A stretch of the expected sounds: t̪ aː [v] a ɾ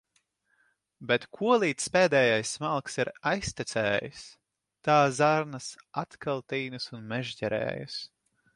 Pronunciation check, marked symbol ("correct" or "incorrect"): incorrect